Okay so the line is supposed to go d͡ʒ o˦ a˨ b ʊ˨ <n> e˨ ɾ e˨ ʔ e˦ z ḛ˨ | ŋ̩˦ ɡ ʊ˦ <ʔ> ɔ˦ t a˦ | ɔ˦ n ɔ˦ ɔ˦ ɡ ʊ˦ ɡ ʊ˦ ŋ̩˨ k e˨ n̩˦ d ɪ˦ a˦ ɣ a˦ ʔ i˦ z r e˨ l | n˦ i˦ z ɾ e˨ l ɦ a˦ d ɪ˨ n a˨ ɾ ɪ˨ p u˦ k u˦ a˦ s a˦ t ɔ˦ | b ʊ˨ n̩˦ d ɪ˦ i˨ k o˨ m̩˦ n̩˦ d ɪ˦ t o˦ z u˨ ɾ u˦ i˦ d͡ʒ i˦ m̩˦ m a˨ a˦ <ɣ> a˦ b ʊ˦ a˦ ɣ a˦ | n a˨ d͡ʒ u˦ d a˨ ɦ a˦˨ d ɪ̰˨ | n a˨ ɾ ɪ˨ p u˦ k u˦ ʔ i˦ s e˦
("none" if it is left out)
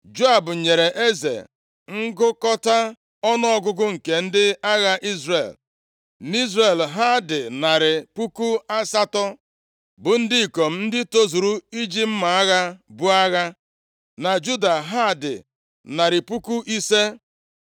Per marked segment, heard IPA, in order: ɲ, k, ɣ

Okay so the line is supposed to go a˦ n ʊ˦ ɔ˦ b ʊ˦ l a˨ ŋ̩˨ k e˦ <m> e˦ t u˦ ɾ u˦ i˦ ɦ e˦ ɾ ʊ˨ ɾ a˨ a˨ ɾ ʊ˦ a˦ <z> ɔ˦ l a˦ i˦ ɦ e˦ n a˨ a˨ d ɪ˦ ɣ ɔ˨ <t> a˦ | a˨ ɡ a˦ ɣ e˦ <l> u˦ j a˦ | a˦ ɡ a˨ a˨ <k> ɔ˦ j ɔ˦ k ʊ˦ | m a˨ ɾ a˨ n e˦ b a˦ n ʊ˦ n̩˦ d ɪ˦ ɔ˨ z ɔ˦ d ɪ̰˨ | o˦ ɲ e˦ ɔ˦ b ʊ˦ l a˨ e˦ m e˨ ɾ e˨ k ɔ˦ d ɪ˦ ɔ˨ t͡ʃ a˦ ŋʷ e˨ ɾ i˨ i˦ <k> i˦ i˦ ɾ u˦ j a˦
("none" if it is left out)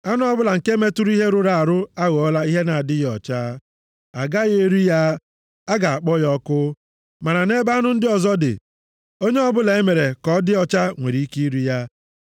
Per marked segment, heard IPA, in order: m, ɣ, t͡ʃ, ɾ, k͡p, k

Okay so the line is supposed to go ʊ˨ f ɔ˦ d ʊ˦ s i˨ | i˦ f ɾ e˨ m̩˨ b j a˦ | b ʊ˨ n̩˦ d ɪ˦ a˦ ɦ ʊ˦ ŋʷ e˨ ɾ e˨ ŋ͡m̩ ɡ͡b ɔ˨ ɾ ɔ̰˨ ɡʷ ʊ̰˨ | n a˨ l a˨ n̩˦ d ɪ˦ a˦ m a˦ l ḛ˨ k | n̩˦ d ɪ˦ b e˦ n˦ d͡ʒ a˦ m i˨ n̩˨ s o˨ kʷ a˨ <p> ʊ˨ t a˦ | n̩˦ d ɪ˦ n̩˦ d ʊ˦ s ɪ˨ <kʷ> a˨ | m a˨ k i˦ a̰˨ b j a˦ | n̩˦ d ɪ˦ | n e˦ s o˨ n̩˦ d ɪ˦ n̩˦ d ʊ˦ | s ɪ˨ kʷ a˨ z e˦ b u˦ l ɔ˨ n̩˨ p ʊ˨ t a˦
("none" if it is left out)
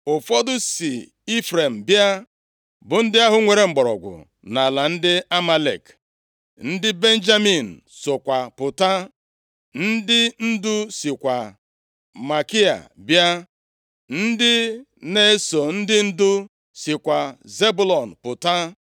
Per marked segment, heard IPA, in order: p, kʷ

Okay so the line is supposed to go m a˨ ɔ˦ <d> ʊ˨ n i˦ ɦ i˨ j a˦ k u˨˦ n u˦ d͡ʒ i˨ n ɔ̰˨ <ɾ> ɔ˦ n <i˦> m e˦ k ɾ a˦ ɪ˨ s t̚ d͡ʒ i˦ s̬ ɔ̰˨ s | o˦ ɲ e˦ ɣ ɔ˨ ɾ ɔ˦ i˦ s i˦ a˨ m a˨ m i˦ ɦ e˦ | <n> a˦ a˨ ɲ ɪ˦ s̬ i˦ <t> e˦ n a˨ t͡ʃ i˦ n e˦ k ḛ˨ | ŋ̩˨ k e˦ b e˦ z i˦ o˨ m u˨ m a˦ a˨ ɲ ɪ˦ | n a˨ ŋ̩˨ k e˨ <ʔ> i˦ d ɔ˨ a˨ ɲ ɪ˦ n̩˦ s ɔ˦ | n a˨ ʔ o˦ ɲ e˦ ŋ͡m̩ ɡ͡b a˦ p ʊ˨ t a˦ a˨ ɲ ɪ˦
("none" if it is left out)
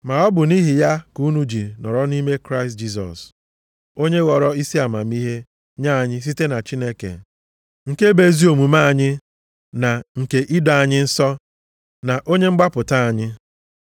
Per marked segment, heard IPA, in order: b, ɾ, i˦, ɲ, t, ʔ

